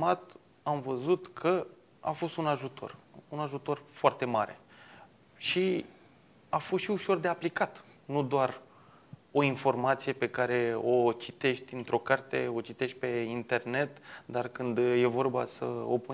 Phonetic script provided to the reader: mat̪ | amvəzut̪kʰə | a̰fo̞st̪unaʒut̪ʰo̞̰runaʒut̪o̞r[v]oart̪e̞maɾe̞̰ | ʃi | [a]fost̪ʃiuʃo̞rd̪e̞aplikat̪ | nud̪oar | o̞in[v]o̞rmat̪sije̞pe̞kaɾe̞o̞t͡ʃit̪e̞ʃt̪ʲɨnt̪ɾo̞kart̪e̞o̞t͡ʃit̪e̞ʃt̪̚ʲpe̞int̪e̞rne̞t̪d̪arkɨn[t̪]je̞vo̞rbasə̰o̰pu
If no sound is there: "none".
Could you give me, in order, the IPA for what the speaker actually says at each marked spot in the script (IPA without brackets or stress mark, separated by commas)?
f, a, f, d̪